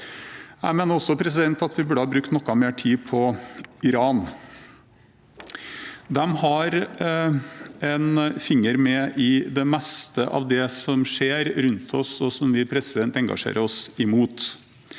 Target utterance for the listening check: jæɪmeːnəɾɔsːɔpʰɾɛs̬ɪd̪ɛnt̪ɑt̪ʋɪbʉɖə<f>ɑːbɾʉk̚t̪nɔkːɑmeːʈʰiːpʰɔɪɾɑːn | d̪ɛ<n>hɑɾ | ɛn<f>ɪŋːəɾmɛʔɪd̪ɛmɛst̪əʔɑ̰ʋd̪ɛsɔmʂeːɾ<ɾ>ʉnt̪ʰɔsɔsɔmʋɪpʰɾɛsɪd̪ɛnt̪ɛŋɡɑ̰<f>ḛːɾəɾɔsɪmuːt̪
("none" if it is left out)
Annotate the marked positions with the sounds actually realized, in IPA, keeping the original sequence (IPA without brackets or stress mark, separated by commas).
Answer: h, m, f, ɾ, ʂ